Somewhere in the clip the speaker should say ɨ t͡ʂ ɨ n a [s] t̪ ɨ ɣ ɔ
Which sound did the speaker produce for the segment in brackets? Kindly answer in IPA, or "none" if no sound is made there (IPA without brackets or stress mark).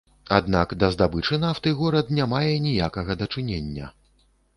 f